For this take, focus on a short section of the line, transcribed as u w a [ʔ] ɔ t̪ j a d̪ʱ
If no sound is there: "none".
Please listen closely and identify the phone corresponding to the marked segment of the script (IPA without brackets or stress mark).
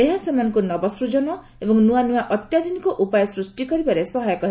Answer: ʔ